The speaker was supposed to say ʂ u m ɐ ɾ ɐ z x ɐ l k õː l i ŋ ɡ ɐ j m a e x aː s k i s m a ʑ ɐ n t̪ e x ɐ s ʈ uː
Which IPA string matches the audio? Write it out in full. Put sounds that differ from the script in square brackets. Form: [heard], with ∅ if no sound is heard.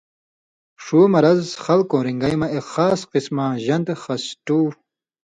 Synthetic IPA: ʂ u m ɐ ɾ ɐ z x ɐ l k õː [ɾ] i ŋ ɡ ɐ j m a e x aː s [q] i s m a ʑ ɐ n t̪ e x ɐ s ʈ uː